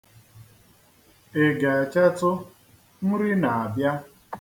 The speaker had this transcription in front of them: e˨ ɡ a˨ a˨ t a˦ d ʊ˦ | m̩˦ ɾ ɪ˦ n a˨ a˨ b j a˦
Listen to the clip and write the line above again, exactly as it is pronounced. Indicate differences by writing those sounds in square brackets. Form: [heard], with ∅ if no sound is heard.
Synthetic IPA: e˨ ɡ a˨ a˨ [t͡ʃ] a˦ [t] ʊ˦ | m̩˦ ɾ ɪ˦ n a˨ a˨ b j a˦